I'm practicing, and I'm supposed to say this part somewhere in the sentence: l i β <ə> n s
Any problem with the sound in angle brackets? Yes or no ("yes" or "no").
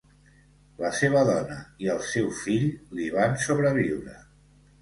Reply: yes